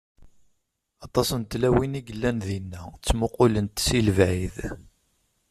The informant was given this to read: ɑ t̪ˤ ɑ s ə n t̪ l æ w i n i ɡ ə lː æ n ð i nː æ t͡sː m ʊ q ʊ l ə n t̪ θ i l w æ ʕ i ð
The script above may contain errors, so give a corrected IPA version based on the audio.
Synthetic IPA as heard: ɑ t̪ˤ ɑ s ə n t̪ l æ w i n i ɡ ə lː æ n ð i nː æ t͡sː m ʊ q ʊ l ə n t̪ s i l v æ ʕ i ð